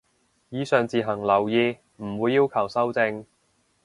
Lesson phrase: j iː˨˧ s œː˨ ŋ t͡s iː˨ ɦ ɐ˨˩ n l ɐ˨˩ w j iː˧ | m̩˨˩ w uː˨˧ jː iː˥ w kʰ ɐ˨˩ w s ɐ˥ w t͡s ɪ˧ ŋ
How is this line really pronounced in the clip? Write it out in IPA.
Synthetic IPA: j iː˨˧ s œː˨ ŋ t͡s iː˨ ɦ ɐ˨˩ ŋ l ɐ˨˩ w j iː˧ | m̩˨˩ w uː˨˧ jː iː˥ w kʰ ɐ˨˩ w s ɐ˥ w t͡s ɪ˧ ŋ